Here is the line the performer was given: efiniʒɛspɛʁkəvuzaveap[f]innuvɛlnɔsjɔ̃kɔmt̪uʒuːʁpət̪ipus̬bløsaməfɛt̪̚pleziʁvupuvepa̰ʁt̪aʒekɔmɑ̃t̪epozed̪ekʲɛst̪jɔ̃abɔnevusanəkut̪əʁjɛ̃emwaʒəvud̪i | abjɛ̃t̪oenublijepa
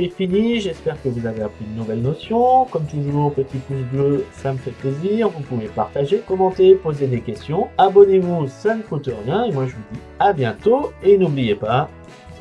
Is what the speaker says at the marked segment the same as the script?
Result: no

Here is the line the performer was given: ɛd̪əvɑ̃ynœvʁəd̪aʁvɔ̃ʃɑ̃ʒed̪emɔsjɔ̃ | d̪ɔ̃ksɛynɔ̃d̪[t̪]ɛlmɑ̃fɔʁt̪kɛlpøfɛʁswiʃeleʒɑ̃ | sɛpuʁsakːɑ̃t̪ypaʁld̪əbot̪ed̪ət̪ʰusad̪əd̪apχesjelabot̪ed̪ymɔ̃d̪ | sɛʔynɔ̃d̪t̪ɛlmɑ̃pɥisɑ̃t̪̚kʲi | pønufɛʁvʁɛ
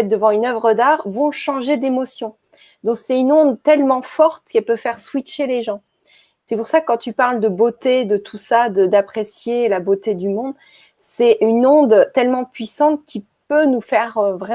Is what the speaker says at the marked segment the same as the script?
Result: yes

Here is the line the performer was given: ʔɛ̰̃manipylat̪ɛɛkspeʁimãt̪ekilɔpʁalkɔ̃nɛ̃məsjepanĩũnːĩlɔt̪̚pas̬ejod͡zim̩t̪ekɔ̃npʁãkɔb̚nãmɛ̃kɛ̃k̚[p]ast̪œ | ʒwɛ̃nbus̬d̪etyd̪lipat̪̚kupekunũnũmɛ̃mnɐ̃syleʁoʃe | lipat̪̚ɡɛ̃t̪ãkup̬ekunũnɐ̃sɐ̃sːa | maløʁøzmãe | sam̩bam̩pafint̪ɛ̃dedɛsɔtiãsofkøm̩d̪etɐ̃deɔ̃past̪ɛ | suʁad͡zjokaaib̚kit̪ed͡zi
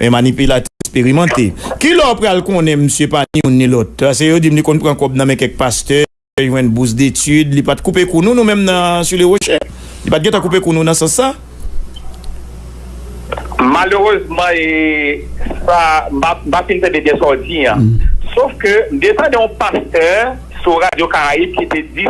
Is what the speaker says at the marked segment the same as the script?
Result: yes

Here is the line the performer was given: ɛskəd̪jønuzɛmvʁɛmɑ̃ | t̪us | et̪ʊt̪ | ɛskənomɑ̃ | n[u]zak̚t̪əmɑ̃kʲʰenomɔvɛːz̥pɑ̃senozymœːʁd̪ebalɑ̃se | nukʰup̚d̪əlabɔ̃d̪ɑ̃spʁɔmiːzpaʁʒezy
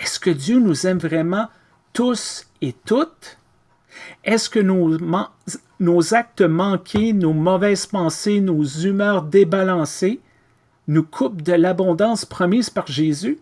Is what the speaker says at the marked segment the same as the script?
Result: no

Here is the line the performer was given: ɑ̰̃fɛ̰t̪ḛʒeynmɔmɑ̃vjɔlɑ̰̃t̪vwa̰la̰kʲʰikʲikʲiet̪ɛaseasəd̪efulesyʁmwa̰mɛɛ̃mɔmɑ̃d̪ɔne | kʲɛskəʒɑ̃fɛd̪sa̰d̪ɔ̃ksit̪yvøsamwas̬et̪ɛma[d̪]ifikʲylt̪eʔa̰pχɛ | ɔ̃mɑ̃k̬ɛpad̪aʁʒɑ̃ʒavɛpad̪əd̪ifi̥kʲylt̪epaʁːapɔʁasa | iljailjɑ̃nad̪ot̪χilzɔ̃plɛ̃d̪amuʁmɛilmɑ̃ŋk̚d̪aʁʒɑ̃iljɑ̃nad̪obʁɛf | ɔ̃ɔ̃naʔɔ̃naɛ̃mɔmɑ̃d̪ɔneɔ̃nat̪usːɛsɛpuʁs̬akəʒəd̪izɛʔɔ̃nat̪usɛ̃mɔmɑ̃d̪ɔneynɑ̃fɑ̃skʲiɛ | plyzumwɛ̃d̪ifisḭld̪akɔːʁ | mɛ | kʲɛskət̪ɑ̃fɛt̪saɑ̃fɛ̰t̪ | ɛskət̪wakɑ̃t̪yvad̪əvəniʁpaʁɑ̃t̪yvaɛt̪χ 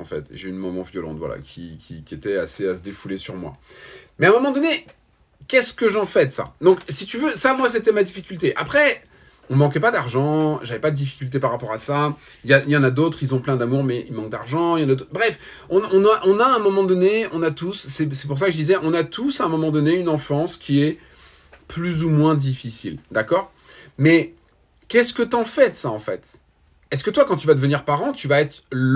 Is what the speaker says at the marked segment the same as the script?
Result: yes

